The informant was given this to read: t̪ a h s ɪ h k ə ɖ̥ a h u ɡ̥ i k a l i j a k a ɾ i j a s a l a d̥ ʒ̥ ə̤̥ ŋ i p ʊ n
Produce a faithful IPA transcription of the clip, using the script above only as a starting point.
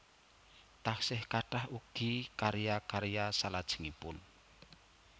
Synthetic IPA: t̪ a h s ɪ h k a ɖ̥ a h u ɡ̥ i k a ɾ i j a k a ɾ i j a s a l a d̥ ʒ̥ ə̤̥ ŋ i p ʊ n